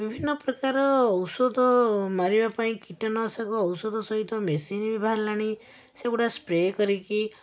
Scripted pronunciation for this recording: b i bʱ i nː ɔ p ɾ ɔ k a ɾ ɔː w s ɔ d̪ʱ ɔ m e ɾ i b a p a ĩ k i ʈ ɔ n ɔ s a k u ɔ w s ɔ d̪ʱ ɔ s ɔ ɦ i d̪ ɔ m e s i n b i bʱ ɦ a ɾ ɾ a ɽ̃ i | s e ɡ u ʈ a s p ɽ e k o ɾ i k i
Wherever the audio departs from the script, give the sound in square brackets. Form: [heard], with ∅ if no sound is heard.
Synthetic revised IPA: b i bʱ i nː ɔ p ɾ ɔ k a ɾ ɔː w s ɔ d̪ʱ ɔ m [a] ɾ i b a p a ĩ k i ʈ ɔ n ɔ s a k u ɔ w s ɔ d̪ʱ ɔ s ɔ ɦ i [t̪] ɔ m e s i n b i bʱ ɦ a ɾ [l] a ɽ̃ i | s e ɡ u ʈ a s p [ɾ] e k [ɔ] ɾ i k i